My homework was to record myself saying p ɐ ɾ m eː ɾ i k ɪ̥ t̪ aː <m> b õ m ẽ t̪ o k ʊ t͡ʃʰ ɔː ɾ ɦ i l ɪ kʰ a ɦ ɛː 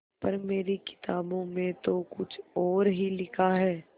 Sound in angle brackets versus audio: incorrect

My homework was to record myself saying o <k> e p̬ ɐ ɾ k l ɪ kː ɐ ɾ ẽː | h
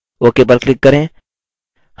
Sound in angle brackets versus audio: correct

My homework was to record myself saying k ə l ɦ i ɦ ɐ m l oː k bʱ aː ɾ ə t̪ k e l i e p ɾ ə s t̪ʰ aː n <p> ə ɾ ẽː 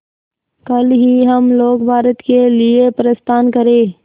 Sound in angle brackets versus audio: incorrect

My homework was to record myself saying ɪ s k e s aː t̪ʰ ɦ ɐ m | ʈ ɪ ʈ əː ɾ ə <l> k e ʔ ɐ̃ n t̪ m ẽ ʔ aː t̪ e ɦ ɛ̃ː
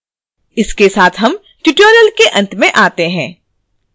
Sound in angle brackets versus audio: correct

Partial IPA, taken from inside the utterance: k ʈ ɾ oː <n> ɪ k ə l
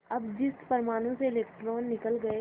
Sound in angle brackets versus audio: incorrect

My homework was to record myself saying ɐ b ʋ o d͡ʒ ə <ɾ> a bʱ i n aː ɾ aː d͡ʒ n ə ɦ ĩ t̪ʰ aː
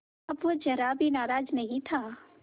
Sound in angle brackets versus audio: correct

